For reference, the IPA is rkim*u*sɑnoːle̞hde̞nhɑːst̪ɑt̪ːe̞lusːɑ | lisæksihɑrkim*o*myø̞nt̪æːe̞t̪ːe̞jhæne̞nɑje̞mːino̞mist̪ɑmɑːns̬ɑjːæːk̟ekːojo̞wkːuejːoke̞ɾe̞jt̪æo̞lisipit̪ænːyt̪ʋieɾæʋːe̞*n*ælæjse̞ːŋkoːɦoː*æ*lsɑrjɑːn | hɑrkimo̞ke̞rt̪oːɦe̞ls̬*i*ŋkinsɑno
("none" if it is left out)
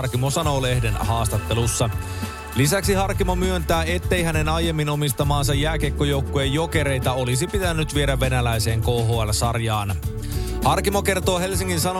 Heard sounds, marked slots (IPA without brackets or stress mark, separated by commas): o, o, n, æ, i